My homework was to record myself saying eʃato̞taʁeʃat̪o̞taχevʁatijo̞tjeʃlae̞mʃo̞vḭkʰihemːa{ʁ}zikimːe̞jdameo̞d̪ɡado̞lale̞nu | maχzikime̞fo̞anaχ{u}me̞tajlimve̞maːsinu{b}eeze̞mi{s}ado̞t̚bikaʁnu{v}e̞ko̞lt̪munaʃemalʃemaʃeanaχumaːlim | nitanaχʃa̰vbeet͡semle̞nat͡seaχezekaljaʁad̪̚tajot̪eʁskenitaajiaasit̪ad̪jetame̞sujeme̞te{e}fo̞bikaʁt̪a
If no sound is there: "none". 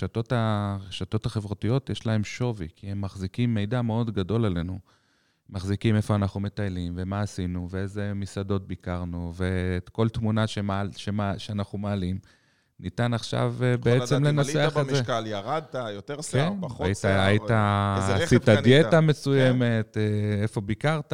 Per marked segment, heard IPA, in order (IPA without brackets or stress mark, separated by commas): χ, u, v, s, v, e